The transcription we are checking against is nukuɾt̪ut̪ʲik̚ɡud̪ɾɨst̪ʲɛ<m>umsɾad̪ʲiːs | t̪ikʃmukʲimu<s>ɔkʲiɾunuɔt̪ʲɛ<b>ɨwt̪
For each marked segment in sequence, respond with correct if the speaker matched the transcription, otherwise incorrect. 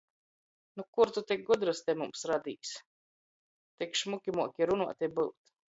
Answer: correct, incorrect, correct

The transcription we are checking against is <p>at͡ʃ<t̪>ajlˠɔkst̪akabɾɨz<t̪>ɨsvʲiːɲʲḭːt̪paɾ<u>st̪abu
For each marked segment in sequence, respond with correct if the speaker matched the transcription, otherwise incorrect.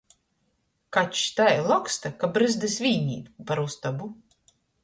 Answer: incorrect, correct, incorrect, correct

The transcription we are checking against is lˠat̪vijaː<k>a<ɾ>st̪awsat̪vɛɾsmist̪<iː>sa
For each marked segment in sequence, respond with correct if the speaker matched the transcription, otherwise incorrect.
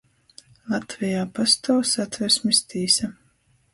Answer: incorrect, incorrect, correct

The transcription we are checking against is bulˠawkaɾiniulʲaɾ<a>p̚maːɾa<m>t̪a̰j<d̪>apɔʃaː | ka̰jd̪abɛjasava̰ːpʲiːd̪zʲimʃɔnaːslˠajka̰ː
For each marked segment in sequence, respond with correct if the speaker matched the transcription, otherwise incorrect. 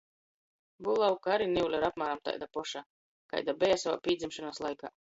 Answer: correct, correct, correct

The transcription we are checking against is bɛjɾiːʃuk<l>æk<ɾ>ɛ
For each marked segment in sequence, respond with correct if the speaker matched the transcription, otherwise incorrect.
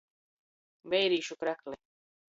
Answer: incorrect, incorrect

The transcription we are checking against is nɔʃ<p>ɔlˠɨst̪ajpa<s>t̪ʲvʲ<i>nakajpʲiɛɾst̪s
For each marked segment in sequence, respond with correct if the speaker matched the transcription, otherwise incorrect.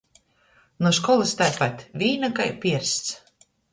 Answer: incorrect, incorrect, incorrect

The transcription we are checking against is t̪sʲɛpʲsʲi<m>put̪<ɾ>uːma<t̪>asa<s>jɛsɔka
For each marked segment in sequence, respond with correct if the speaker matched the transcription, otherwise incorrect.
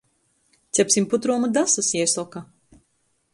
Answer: correct, correct, incorrect, correct

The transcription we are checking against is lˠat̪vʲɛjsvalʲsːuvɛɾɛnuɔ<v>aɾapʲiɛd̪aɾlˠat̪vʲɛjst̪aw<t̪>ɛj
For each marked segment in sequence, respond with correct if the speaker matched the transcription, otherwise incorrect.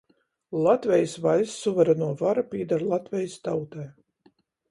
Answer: correct, correct

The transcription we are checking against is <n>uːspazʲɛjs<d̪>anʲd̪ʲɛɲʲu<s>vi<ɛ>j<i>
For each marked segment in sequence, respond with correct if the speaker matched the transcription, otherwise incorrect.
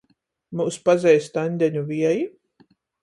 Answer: incorrect, incorrect, incorrect, correct, correct

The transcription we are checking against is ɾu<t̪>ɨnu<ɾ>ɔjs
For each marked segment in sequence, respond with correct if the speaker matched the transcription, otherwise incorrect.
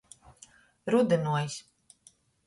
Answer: incorrect, incorrect

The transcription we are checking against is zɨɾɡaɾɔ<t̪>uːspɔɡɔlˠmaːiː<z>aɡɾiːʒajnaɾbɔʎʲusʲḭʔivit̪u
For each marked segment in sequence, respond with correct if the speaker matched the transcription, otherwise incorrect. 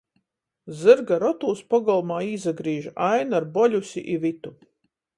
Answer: correct, correct

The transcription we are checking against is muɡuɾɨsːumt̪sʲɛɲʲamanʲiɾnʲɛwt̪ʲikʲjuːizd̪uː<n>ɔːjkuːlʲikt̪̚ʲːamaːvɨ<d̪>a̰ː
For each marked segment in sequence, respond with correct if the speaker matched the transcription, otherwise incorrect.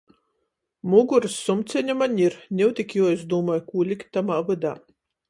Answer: incorrect, correct

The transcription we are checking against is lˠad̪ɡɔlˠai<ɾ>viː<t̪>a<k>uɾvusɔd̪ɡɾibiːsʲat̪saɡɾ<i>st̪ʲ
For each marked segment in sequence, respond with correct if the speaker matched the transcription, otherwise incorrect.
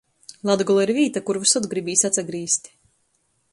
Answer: correct, correct, correct, incorrect

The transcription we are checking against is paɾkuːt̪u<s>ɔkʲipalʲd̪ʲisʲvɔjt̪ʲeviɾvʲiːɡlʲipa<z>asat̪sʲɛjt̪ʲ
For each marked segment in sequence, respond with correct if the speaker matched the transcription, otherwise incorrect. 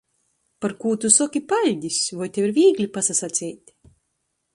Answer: correct, incorrect

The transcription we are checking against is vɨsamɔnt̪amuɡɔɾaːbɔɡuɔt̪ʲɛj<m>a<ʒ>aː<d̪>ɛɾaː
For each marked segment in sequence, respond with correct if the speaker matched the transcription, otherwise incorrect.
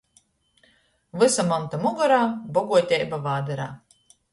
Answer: incorrect, incorrect, correct

